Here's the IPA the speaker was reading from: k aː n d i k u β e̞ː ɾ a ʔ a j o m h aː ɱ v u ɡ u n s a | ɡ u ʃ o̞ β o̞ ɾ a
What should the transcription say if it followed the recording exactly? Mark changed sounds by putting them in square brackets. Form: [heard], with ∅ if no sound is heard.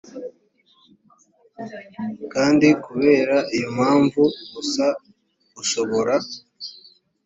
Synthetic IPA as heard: k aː n d i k u β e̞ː ɾ a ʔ [i] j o m h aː ɱ v u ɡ u [∅] s a | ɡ u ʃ o̞ β o̞ ɾ a